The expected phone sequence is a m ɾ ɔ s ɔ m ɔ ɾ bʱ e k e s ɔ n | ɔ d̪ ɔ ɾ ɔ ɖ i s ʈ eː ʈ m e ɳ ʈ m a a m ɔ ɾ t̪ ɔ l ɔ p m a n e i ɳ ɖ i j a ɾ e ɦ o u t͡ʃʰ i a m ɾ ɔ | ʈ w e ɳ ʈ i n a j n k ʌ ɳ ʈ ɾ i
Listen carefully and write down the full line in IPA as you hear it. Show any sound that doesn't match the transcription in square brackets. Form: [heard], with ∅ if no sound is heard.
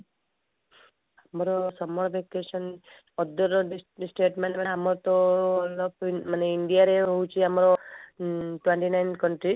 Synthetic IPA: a m ɾ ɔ s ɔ m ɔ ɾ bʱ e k e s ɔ n | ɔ d̪ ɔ ɾ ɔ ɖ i s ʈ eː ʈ m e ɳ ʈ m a a m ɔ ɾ t̪ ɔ l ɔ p m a n e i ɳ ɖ i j a ɾ e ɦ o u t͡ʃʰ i a m ɾ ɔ | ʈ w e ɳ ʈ i n a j n k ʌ ɳ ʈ ɾ i